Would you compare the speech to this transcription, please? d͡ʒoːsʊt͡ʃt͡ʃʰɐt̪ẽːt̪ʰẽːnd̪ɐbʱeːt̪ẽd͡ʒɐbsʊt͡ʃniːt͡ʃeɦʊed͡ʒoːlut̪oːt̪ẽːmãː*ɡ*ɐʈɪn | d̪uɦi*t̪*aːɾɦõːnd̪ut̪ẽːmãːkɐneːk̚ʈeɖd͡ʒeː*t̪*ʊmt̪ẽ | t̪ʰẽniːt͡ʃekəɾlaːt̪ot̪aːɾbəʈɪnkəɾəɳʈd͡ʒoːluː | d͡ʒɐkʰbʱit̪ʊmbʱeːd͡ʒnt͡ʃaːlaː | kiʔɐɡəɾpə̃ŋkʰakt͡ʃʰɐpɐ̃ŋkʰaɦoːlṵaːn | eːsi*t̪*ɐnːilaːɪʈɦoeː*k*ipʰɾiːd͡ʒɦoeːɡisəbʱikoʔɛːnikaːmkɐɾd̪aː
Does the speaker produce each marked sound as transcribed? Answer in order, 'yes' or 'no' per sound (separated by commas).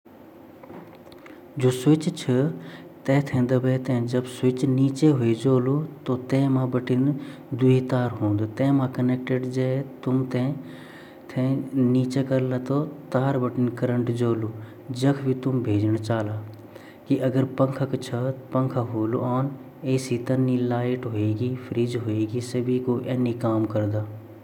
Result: no, yes, yes, yes, no